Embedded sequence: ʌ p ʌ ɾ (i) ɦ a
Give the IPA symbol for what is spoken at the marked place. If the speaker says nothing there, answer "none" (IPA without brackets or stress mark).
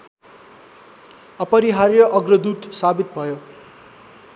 i